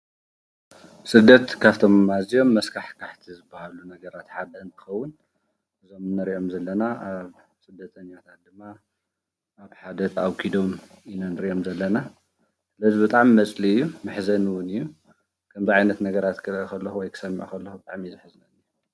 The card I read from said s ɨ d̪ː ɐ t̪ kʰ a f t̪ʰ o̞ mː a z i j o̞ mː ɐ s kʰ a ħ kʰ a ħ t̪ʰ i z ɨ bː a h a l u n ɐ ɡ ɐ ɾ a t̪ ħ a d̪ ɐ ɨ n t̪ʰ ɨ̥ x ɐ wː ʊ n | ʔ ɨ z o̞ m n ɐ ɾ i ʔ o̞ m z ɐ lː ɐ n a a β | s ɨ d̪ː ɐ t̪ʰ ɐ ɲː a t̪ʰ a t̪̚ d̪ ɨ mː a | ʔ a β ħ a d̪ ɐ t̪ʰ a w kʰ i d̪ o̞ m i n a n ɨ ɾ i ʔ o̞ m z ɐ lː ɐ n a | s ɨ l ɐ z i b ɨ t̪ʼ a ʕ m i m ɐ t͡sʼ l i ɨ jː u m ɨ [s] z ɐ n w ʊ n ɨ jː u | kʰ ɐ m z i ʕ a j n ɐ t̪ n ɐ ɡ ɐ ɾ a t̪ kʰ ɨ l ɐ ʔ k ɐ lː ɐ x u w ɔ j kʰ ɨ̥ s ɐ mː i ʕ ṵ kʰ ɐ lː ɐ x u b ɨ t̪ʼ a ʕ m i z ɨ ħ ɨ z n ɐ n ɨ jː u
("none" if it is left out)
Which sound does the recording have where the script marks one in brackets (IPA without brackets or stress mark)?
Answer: ħ